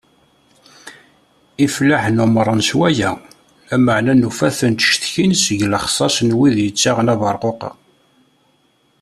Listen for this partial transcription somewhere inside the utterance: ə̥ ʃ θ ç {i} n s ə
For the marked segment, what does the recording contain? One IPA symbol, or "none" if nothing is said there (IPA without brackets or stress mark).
i